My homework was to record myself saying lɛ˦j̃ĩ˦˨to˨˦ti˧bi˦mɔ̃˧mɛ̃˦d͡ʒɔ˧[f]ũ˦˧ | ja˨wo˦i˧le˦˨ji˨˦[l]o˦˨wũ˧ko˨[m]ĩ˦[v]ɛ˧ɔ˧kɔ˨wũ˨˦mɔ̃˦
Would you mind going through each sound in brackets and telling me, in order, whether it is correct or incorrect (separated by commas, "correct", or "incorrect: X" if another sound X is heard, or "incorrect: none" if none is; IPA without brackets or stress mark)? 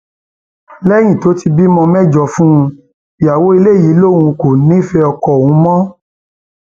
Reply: correct, correct, incorrect: n, incorrect: f